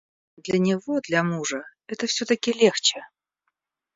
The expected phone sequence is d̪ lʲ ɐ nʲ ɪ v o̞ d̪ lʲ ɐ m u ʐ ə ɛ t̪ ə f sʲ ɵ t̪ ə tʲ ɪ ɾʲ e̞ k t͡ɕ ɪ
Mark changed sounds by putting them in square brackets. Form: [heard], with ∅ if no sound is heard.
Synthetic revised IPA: d̪ lʲ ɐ nʲ ɪ v o̞ d̪ lʲ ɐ m u ʐ ə ɛ t̪ ə f sʲ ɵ t̪ ə [kʲ] ɪ [lʲ] e̞ [x] t͡ɕ ɪ